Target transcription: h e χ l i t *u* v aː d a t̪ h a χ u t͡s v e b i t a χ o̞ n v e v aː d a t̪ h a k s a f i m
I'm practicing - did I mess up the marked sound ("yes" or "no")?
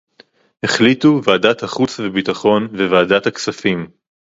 no